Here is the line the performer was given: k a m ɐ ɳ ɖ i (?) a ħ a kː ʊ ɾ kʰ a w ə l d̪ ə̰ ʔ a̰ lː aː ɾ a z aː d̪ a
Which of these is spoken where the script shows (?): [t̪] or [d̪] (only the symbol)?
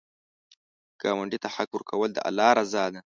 t̪